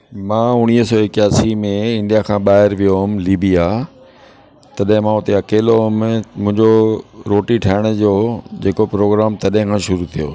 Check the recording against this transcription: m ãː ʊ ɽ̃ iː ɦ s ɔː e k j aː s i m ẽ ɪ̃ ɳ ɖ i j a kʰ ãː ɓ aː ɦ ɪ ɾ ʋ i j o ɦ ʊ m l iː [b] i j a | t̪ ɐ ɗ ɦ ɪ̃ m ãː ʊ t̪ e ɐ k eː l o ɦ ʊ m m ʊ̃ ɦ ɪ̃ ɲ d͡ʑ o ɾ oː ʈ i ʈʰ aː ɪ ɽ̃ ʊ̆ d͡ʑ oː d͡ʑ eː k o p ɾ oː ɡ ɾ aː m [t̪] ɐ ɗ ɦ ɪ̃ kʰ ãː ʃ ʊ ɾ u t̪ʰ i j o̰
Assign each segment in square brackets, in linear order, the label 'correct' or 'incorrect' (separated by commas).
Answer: correct, correct